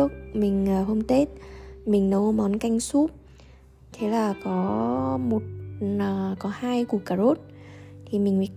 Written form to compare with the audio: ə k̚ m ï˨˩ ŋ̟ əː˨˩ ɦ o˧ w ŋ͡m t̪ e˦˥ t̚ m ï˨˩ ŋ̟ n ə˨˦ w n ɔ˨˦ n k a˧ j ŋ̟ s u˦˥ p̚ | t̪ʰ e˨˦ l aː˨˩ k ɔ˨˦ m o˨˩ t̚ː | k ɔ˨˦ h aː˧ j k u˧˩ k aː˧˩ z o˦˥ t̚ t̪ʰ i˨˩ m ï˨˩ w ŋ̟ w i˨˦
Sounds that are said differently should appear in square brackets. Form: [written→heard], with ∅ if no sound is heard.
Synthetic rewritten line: ə k̚ m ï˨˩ ŋ̟ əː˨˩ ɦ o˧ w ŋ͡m t̪ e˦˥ t̚ m ï˨˩ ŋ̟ n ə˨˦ w [n→m] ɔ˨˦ n k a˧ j ŋ̟ s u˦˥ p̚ | t̪ʰ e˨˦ l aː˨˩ k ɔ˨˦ m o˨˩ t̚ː | k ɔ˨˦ h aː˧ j k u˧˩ k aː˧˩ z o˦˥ t̚ t̪ʰ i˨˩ m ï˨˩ [w→∅] ŋ̟ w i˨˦